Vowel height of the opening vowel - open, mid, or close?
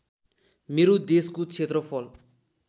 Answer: mid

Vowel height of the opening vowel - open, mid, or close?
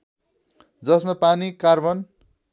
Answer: mid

